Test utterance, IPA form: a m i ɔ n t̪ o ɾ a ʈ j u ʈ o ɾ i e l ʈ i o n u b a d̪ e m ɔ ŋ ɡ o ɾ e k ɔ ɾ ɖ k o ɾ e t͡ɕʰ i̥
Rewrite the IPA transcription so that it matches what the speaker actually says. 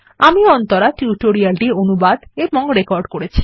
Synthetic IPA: a m i ɔ n t̪ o ɾ a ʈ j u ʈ o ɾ i a l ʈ i o n u b a d̪ e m ɔ ŋ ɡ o ɾ e k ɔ ɾ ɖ k o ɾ e t͡ɕʰ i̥